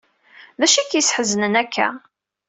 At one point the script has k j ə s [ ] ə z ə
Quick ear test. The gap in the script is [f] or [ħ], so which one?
ħ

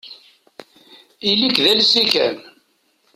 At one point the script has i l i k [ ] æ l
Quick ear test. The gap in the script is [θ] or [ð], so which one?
ð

